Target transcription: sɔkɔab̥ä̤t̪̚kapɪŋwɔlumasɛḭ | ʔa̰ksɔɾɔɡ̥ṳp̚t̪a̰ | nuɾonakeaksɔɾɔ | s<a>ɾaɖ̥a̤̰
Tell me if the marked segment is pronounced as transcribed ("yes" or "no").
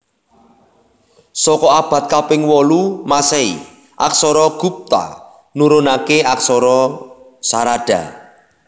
yes